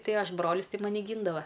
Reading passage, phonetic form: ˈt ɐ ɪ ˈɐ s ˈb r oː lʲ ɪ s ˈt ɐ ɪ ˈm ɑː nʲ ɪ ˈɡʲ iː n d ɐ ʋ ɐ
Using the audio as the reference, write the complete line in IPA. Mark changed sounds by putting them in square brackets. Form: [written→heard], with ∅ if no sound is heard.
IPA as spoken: ˈt ɐ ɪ ˈɐ [s→ʃ] ˈb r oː lʲ ɪ s ˈt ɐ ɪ ˈm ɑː nʲ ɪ ˈɡʲ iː n d ɐ ʋ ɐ